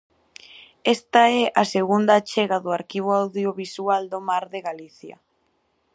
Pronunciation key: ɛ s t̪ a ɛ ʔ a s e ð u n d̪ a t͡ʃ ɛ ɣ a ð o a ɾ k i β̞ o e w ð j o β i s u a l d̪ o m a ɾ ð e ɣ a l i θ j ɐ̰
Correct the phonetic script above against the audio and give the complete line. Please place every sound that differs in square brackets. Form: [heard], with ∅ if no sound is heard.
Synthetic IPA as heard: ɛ s t̪ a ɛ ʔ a s e [ɣ] u n d̪ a t͡ʃ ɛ ɣ a ð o a ɾ k i β̞ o [a] w ð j o β i s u a l d̪ o m a ɾ ð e ɣ a l i θ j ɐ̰